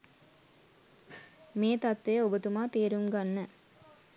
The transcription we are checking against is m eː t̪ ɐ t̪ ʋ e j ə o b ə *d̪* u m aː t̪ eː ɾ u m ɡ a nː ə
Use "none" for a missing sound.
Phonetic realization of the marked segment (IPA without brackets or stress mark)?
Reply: t̪